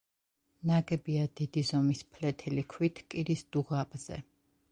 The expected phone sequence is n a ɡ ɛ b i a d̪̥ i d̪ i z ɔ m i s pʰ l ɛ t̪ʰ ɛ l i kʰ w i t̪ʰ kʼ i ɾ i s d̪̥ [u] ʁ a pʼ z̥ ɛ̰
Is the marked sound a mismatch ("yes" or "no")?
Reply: no